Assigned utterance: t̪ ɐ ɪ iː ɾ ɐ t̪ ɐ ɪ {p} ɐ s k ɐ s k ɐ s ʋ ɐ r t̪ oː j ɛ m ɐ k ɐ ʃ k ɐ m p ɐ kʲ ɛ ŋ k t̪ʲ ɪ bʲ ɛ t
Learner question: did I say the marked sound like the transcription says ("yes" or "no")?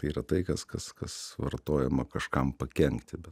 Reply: no